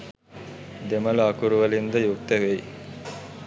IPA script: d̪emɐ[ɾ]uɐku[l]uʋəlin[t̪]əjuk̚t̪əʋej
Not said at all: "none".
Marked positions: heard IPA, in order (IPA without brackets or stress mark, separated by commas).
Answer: l, ɾ, d̪